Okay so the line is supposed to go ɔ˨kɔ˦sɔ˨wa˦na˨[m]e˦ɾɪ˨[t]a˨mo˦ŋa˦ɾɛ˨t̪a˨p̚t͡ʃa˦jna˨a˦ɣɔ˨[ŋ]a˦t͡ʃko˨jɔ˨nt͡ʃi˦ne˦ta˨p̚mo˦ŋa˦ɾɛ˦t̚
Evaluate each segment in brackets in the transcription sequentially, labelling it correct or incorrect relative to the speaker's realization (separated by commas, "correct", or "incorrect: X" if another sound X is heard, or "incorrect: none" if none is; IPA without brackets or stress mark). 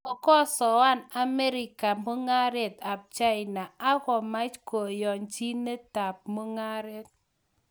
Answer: correct, incorrect: k, incorrect: m